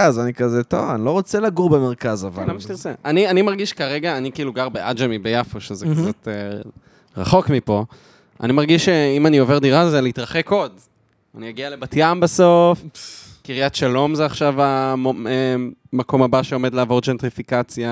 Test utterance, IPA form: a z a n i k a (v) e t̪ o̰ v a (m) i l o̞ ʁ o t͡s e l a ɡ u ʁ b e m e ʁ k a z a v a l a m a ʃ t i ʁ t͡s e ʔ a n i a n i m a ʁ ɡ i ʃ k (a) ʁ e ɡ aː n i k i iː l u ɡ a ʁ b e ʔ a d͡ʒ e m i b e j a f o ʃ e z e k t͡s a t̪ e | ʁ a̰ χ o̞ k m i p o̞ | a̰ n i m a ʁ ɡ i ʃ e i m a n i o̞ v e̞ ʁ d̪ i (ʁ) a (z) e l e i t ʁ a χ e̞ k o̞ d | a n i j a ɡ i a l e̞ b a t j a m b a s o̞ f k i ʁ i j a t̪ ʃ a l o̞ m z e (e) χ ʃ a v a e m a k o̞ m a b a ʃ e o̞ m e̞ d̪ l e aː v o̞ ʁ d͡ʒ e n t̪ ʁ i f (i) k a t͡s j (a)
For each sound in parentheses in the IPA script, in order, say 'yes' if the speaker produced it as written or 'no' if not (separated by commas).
no, no, yes, yes, yes, no, yes, yes